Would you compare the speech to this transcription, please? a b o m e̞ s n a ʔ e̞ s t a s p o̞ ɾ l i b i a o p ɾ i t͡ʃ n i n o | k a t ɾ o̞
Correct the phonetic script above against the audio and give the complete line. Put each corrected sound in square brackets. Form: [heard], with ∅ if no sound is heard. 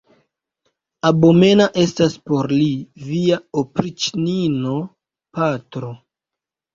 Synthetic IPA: a b o m e̞ [∅] n a ʔ e̞ s t a s p o̞ ɾ l i [v] i a o p ɾ i t͡ʃ n i n o | [p] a t ɾ o̞